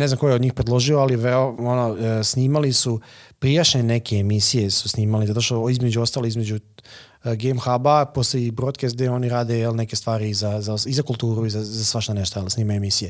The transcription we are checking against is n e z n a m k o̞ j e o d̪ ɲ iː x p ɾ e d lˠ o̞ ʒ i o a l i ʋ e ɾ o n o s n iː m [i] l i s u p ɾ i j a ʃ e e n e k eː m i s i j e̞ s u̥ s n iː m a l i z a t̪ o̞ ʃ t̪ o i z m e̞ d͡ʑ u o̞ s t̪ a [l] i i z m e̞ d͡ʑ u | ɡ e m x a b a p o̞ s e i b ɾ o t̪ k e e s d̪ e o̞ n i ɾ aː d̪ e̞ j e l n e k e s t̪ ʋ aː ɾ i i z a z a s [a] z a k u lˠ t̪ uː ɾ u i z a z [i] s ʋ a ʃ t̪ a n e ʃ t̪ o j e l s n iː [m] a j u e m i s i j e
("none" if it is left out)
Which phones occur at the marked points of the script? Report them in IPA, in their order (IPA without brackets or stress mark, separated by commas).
a, l, i, a, m